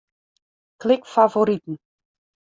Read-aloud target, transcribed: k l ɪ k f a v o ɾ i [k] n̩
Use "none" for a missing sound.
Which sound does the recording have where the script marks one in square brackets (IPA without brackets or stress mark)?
t